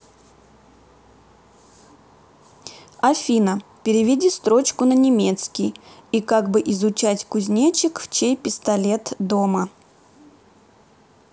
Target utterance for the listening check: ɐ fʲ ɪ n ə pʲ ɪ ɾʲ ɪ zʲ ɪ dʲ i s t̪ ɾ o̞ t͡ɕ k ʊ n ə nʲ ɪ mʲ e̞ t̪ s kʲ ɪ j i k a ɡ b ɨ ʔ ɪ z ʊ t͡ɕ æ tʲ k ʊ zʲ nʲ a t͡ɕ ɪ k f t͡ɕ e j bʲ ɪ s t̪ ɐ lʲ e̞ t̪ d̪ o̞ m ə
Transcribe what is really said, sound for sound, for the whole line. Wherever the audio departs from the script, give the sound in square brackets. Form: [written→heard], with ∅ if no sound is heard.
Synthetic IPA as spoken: ɐ fʲ [ɪ→i] n ə pʲ ɪ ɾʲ ɪ [zʲ→vʲ] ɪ dʲ i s t̪ ɾ o̞ t͡ɕ k ʊ n ə nʲ ɪ mʲ e̞ t̪ s kʲ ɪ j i k a ɡ b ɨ ʔ ɪ z ʊ t͡ɕ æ tʲ k ʊ zʲ nʲ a t͡ɕ ɪ k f t͡ɕ e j [bʲ→pʲ] ɪ s t̪ ɐ lʲ e̞ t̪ d̪ o̞ m ə